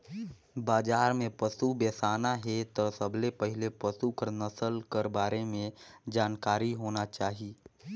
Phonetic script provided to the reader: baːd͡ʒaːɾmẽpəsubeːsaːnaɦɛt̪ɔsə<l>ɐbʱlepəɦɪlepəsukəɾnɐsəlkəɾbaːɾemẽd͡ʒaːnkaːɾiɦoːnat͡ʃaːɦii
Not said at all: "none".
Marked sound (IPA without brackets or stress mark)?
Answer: none